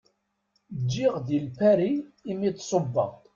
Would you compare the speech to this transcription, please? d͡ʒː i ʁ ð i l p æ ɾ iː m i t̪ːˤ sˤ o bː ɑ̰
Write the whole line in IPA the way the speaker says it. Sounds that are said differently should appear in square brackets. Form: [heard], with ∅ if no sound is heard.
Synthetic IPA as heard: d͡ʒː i ʁ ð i l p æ ɾ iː m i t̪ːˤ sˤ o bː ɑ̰